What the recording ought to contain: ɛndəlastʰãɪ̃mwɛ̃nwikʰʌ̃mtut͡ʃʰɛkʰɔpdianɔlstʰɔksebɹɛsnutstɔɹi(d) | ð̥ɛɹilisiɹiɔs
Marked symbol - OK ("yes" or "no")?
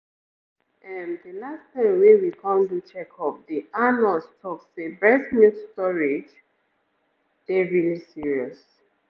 no